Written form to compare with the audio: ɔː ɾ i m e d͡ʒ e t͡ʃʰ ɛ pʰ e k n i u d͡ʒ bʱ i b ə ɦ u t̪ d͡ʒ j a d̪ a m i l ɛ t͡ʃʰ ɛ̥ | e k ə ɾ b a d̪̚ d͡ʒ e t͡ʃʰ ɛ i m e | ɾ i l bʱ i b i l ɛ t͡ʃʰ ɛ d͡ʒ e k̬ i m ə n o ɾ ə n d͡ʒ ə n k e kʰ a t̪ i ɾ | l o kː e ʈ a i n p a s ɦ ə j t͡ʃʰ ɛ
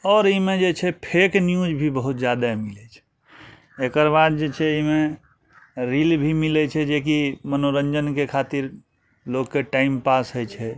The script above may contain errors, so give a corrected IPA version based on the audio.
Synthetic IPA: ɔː ɾ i m e d͡ʒ e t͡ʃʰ ɛ pʰ e k n j u d͡ʒ bʱ i b ə ɦ u t̪ d͡ʒ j a d̪ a m i l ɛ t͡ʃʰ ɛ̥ | e k ə ɾ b a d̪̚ d͡ʒ e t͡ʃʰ ɛ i m e | ɾ i l bʱ i m i l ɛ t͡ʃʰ ɛ d͡ʒ e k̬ i m ə n o ɾ ə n d͡ʒ ə n k e kʰ a t̪ i ɾ | l o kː e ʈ a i m p a s ɦ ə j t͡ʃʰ ɛ